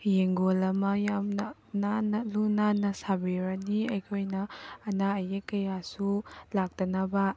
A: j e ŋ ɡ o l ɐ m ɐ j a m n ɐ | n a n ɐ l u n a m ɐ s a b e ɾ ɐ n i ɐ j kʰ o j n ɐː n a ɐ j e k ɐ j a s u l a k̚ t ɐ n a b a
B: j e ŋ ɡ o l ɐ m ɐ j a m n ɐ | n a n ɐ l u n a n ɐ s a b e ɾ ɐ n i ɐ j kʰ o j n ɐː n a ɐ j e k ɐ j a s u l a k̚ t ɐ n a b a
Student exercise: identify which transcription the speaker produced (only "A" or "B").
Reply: B